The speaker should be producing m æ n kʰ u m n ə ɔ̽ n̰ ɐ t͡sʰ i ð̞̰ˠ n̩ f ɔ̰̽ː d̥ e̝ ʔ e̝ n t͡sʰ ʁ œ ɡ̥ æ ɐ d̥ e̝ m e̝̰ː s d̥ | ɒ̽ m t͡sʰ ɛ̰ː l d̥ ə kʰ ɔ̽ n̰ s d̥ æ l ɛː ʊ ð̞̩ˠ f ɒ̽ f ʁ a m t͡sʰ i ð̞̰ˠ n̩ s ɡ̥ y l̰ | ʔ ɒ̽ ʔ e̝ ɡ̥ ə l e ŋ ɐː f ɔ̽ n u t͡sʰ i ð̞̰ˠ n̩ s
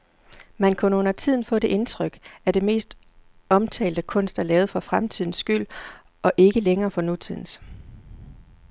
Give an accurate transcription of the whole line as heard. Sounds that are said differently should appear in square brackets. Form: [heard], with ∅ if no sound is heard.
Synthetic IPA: m æ n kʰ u [∅] n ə ɔ̽ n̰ ɐ t͡sʰ i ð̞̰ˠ n̩ f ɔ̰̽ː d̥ e̝ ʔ e̝ n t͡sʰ ʁ œ ɡ̥ æ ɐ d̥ e̝ m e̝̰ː s d̥ | ɒ̽ m t͡sʰ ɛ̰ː l d̥ ə kʰ ɔ̽ n̰ s d̥ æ l ɛː ʊ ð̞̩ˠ f ɒ̽ f ʁ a m t͡sʰ i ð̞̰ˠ n̩ s ɡ̥ y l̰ | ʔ ɒ̽ ʔ e̝ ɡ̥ ə l e ŋ ɐː f [ɒ̽] n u t͡sʰ i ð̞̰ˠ n̩ s